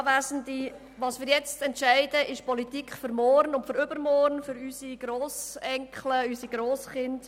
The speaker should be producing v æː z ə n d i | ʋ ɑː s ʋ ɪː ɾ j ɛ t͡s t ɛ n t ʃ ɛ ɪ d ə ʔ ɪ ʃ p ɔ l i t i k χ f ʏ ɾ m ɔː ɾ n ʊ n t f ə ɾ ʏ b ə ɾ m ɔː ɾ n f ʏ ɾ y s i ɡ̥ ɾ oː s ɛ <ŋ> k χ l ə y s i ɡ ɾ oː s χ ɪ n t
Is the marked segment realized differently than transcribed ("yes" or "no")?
no